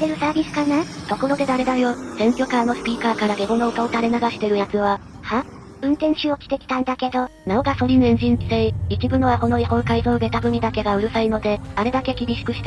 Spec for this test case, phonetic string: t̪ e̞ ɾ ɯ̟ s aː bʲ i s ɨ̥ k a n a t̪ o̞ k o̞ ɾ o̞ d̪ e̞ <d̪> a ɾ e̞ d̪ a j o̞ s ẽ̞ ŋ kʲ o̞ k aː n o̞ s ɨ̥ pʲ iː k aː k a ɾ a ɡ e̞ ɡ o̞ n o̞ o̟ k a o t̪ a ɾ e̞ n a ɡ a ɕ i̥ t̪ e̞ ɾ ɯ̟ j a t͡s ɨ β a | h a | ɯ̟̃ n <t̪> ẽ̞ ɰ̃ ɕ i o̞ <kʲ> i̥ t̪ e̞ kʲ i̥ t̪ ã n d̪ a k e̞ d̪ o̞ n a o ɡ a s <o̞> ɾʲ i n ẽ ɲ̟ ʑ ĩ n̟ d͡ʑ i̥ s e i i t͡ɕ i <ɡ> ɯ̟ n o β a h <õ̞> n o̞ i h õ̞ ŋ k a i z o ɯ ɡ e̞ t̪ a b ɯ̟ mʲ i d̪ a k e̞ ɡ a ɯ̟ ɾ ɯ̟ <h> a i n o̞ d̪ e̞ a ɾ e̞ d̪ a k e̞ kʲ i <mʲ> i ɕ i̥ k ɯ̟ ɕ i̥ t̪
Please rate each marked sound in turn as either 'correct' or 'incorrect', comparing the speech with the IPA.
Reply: correct, correct, correct, correct, incorrect: b, incorrect: o̞, incorrect: s, incorrect: bʲ

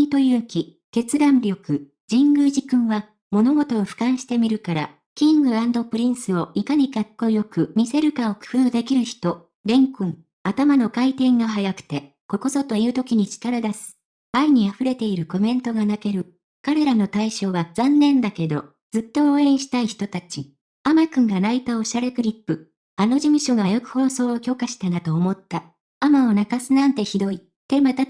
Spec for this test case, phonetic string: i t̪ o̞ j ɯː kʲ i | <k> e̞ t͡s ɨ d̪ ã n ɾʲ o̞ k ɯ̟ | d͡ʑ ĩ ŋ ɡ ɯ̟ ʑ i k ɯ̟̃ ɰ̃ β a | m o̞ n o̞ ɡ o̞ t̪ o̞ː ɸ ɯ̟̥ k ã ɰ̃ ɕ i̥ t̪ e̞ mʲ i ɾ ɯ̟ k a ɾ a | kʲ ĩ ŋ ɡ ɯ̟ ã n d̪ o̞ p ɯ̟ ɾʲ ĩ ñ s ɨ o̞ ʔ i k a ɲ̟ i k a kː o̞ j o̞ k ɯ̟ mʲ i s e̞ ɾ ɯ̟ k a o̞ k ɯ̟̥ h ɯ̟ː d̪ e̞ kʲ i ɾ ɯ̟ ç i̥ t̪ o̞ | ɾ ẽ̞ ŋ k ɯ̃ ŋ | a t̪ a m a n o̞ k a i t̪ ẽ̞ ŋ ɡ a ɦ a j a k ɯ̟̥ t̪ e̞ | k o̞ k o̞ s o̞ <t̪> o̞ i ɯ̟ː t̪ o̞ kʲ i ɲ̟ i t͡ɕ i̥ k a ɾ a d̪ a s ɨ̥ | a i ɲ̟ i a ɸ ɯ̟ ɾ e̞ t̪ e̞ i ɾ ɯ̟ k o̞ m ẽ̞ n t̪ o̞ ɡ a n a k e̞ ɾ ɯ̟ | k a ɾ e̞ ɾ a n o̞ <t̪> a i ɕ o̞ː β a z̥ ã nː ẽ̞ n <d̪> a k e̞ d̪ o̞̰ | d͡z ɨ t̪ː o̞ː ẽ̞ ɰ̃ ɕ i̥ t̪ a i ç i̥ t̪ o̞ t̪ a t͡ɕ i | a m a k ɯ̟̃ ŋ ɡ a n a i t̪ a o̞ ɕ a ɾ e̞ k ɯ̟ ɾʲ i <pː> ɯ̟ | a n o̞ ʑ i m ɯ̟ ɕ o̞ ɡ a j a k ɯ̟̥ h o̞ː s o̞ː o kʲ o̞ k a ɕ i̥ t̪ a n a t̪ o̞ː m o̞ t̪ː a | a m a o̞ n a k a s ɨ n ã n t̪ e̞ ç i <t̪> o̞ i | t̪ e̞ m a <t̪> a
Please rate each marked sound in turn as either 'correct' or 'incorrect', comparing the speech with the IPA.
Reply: correct, correct, correct, correct, correct, incorrect: d̪, correct

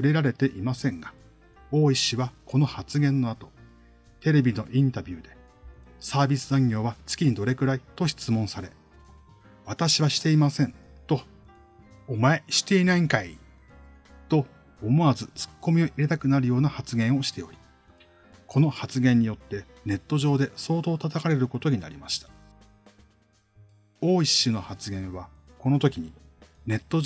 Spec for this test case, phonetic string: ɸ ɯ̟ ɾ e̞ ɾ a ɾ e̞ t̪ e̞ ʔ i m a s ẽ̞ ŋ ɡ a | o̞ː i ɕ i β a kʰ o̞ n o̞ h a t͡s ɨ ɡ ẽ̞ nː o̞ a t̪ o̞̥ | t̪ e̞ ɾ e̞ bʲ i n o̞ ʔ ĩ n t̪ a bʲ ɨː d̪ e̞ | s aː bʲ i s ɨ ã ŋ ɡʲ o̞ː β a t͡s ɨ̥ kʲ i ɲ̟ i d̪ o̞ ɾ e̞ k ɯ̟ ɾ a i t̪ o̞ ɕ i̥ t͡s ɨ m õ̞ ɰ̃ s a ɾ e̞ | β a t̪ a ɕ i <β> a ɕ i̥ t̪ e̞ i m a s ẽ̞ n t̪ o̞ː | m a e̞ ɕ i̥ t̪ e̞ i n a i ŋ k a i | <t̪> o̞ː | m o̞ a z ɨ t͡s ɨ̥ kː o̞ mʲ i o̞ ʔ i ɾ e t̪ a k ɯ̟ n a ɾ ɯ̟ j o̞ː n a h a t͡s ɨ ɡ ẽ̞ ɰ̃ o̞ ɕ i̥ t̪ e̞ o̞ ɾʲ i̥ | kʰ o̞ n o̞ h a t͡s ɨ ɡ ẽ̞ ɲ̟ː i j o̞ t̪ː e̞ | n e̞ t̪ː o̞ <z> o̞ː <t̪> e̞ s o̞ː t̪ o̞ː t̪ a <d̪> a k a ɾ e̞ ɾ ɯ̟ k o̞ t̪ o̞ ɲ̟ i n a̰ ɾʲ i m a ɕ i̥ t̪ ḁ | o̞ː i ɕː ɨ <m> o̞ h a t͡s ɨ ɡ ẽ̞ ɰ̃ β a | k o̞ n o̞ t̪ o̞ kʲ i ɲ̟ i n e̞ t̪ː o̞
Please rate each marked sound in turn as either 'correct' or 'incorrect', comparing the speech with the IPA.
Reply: correct, correct, incorrect: ʑ, incorrect: d̪, incorrect: t̪, incorrect: n

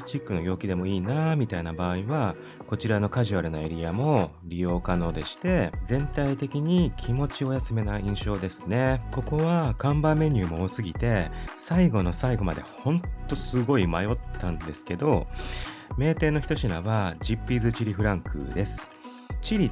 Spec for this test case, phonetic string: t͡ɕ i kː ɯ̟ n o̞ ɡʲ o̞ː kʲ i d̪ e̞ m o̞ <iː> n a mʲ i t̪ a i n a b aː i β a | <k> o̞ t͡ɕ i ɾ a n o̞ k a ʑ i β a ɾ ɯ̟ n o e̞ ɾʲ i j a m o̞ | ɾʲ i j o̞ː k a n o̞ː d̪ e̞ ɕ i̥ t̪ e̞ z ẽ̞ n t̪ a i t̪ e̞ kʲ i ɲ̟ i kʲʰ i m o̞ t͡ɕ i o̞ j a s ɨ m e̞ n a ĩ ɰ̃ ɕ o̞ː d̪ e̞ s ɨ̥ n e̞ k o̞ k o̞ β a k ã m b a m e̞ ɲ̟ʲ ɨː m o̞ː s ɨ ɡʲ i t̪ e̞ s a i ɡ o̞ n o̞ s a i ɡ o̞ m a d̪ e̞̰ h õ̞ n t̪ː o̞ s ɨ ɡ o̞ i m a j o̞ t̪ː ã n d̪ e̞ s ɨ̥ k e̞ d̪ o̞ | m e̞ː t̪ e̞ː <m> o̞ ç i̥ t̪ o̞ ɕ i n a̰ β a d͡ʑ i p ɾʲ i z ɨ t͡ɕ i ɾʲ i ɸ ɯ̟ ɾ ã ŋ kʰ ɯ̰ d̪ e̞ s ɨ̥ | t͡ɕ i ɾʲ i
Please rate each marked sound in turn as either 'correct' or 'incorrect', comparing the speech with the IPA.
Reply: correct, correct, incorrect: n

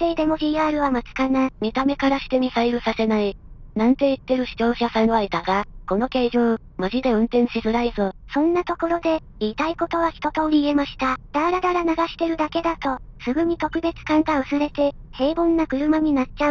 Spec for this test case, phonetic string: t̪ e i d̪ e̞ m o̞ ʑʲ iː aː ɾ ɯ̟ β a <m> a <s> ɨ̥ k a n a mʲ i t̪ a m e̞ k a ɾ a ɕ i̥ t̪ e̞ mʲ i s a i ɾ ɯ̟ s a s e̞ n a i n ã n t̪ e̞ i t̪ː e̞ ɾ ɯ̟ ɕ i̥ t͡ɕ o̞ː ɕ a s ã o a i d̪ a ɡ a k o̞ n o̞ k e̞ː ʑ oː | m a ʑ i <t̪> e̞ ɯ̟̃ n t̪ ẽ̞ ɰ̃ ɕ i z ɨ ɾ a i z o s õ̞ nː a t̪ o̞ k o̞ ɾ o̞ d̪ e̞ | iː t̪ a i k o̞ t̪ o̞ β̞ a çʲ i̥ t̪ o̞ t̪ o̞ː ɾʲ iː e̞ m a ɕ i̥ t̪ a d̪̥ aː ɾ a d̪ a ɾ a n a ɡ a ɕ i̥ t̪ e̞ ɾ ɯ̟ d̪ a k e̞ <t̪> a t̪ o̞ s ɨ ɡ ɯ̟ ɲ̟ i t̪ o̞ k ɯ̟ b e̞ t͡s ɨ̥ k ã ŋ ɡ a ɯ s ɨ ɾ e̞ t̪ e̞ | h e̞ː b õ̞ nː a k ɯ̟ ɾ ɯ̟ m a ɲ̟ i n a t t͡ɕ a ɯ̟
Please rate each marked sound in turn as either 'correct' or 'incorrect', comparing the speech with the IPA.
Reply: correct, incorrect: t͡s, incorrect: d̪, incorrect: d̪

